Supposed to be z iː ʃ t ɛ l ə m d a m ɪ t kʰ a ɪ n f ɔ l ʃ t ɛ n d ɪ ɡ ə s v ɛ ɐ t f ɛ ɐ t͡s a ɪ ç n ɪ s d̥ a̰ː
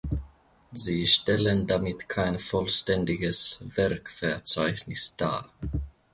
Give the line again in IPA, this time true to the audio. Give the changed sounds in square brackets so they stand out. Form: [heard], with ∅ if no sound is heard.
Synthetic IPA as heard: z iː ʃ t ɛ l ə [n] d a m ɪ t kʰ a ɪ n f ɔ l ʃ t ɛ n d ɪ ɡ ə s v ɛ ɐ [k] f ɛ ɐ t͡s a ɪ ç n ɪ s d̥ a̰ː